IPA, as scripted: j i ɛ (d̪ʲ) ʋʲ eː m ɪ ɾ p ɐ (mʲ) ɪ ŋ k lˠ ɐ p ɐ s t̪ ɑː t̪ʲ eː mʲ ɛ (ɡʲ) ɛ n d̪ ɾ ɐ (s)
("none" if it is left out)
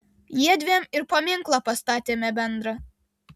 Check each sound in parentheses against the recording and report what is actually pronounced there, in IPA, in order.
d̪ʲ, mʲ, bʲ, none

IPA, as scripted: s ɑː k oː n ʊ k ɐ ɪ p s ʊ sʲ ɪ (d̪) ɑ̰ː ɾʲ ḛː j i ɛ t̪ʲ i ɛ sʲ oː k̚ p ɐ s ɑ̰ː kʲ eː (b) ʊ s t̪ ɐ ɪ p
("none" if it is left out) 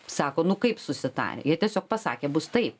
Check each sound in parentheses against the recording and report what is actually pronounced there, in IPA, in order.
t̪, b

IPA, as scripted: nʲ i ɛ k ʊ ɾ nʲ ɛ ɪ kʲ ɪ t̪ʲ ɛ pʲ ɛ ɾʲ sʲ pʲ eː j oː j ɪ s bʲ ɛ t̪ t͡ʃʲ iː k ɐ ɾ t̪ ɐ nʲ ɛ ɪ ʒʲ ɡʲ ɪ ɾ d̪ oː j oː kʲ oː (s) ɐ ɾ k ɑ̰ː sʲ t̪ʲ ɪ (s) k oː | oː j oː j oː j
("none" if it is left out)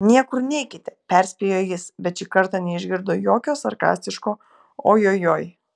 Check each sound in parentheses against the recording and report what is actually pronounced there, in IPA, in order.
s, ʃ

